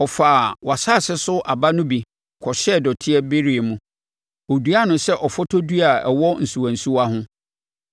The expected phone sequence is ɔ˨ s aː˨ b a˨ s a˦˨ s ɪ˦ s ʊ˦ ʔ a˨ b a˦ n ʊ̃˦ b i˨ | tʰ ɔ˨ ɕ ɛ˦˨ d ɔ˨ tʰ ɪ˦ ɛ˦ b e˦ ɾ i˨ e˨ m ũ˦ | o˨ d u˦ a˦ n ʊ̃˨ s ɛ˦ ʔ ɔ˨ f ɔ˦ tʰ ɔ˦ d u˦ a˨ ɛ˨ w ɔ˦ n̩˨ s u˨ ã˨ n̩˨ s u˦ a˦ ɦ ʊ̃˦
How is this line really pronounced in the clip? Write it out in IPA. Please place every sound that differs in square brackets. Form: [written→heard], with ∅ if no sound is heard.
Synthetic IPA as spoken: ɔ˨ [s→f] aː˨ [b→w] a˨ s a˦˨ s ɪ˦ s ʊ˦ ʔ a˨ b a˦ n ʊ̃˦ b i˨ | [tʰ→kʰ] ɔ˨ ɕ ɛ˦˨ d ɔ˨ tʰ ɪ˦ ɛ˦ b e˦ ɾ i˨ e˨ m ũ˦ | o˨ d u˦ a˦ n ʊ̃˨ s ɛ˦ ʔ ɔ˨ f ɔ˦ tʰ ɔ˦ d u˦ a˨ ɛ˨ w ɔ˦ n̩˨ s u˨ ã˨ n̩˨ s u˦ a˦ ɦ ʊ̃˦